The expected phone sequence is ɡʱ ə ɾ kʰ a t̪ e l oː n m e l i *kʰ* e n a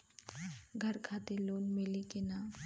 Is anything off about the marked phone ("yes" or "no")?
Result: yes